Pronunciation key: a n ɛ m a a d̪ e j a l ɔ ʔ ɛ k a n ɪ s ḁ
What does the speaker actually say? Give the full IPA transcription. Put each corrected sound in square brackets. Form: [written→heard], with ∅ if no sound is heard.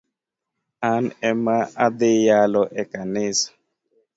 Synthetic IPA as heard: a n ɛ m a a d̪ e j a l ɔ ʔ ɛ k a n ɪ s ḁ